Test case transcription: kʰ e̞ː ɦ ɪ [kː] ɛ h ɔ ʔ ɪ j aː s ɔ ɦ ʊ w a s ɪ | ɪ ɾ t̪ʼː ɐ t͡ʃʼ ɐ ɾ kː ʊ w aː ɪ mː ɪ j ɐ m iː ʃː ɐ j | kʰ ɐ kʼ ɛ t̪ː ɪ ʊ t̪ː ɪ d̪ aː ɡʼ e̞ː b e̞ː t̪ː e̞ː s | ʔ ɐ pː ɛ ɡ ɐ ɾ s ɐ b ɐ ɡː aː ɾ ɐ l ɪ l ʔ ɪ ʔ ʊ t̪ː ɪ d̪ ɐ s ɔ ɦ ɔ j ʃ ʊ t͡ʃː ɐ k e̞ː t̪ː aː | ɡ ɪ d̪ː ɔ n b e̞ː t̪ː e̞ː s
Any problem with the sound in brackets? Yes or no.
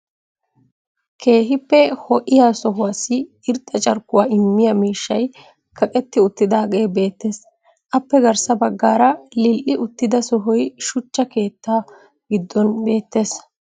yes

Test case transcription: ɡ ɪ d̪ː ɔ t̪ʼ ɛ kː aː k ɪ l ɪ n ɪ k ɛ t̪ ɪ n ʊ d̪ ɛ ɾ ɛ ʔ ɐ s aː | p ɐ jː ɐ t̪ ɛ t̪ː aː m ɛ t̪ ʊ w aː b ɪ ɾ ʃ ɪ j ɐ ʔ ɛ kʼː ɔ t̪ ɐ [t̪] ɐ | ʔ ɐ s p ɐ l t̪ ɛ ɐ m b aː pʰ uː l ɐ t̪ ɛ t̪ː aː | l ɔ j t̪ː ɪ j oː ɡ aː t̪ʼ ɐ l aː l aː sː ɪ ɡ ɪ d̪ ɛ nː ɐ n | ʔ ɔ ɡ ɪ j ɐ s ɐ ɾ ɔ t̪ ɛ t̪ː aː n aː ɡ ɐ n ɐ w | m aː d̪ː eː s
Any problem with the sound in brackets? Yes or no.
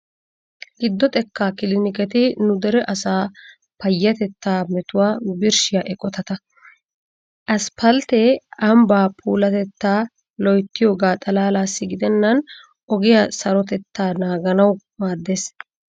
no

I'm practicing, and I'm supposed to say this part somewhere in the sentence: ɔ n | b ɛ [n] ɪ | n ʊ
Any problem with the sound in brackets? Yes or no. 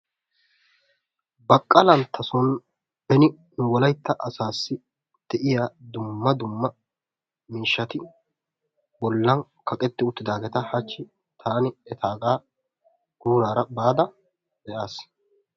no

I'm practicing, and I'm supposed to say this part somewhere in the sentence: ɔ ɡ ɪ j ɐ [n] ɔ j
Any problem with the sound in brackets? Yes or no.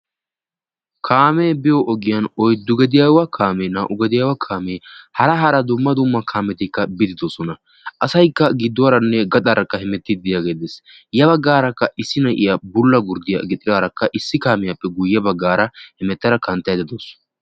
no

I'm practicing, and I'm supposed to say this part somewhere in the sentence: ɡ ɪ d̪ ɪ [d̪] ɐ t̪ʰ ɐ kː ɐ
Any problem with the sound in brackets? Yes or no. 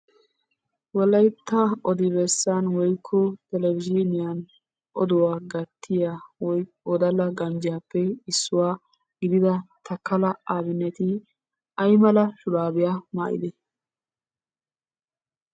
no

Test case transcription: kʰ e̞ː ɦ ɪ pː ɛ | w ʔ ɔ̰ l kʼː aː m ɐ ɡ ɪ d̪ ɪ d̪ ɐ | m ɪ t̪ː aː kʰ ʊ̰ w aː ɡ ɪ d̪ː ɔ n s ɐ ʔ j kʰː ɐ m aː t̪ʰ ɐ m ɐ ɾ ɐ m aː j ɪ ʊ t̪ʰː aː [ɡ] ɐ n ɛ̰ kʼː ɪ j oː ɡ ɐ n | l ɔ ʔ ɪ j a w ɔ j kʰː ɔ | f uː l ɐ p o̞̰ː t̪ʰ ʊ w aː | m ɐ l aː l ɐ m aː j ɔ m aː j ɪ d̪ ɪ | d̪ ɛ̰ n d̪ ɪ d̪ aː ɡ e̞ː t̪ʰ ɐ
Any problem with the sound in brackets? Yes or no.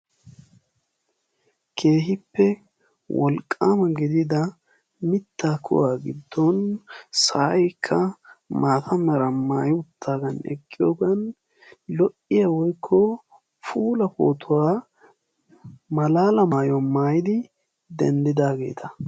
no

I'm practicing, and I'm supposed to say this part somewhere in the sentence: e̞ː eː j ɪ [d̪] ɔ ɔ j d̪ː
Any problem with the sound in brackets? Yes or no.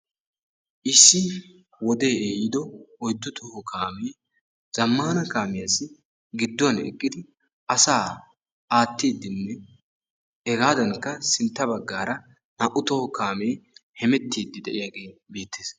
no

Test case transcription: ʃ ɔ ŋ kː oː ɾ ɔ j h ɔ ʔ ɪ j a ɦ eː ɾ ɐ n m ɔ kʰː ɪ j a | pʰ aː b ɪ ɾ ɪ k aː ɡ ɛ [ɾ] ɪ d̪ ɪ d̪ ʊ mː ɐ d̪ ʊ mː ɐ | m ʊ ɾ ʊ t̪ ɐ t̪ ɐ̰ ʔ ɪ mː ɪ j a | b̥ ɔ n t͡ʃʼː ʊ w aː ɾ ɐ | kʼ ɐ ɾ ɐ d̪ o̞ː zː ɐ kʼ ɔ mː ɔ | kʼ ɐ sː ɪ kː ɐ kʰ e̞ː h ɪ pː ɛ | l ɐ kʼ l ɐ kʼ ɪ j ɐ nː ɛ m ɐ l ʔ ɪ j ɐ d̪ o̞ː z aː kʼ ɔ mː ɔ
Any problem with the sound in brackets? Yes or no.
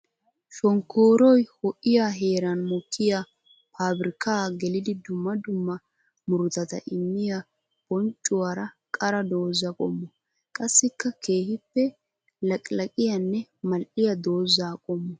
yes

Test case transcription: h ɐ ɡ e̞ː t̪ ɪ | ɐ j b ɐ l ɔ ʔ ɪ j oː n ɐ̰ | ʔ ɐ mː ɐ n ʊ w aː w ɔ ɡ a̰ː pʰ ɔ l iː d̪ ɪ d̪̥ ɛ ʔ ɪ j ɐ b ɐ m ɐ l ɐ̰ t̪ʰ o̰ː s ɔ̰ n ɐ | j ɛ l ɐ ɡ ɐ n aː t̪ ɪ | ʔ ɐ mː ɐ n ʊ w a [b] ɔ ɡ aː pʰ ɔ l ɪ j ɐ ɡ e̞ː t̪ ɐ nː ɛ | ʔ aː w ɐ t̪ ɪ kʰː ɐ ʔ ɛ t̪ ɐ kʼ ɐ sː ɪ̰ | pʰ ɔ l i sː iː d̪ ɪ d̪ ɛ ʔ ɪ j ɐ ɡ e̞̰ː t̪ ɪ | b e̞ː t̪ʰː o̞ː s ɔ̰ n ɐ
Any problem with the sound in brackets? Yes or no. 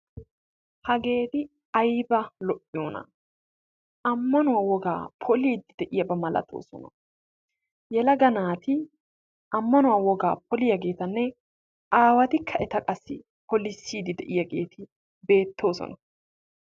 yes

